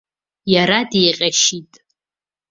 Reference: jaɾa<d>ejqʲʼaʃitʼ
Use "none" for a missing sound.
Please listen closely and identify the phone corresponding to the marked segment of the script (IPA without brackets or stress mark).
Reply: d